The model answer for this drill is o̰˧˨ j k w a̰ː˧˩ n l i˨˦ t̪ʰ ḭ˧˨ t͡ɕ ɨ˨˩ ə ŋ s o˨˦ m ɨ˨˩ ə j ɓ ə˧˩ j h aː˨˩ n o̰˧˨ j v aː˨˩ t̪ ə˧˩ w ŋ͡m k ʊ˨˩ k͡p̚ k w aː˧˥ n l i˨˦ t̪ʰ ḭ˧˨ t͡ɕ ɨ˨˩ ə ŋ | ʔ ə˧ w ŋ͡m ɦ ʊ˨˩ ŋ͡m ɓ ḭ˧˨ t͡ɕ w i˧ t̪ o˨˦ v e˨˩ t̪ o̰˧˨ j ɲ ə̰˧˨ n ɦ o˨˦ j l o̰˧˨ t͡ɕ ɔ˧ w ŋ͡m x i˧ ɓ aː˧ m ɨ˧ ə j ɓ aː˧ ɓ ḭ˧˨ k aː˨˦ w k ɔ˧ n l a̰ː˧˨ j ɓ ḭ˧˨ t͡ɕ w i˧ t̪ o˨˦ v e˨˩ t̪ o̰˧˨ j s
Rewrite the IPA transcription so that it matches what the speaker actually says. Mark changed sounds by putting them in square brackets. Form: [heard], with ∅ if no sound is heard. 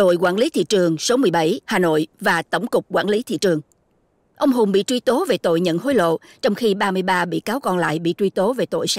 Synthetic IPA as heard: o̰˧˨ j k w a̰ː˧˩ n l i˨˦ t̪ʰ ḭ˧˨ t͡ɕ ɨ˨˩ ə ŋ s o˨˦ m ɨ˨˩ ə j ɓ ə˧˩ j h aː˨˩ n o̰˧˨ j v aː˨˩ t̪ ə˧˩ w ŋ͡m k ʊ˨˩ k͡p̚ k w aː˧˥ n l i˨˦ t̪ʰ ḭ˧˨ t͡ɕ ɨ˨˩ ə ŋ | ʔ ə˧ w ŋ͡m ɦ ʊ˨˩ ŋ͡m ɓ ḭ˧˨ t͡ɕ w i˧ t̪ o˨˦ v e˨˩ t̪ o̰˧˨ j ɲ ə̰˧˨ n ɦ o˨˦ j l o̰˧˨ t͡ɕ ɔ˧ w ŋ͡m x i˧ ɓ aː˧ m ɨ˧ ə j ɓ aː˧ ɓ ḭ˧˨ k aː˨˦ w k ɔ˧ n l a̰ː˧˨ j ɓ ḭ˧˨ t͡ɕ w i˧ t̪ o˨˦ v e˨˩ t̪ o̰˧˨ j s